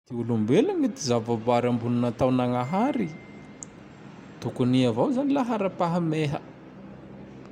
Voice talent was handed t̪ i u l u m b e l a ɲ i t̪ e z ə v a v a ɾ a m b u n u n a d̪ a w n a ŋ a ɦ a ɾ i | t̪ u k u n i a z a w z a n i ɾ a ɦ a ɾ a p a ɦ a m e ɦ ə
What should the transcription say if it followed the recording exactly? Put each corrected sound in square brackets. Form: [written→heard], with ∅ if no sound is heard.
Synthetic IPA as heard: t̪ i u l u m b e l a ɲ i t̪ [e→i] z [ə→a] v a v a ɾ a m b u n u n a [d̪→t̪] a w n a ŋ a ɦ a ɾ i | t̪ u k u n i a [z→v] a w z a n i [ɾ→l] a ɦ a ɾ a p a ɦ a m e ɦ ə